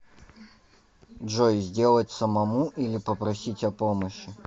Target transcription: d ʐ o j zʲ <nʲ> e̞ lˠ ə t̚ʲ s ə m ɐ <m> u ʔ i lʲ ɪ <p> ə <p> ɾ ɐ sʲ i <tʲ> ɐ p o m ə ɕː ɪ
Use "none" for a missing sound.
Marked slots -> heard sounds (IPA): dʲ, m, p, p, tʲ

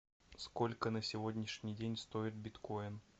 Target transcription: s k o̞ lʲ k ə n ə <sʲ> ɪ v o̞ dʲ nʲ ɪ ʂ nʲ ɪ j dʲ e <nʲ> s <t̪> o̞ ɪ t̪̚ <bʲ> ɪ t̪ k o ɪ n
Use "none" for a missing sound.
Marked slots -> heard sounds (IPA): sʲ, nʲ, t̪, bʲ

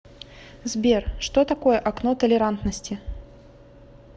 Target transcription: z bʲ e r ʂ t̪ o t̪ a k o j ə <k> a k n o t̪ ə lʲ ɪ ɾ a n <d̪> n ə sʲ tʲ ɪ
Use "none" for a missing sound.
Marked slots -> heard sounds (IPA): ʔ, t̪

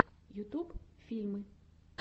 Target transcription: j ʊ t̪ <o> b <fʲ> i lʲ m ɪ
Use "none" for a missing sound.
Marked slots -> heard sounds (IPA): u, fʲ

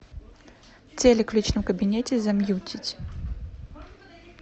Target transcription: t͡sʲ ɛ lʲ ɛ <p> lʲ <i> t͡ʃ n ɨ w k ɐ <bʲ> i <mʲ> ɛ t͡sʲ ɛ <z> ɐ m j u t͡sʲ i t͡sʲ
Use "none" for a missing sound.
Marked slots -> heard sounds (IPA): k, i, bʲ, nʲ, z

